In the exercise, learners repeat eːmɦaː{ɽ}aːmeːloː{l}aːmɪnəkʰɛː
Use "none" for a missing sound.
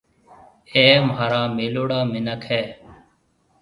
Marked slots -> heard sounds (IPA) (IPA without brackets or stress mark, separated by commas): ɾ, ɽ